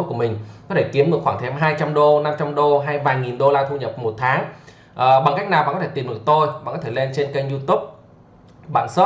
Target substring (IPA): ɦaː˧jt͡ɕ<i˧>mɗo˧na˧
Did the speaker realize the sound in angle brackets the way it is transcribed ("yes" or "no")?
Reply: no